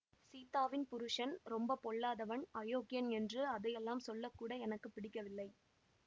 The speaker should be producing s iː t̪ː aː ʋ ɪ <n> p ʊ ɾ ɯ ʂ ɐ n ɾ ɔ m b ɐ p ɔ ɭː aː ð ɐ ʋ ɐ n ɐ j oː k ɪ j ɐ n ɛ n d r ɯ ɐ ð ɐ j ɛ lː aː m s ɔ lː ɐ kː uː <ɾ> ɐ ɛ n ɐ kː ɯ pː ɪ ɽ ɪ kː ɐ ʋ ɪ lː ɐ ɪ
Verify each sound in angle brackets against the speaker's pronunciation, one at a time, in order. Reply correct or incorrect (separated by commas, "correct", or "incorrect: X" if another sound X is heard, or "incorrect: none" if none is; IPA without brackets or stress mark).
correct, incorrect: ɽ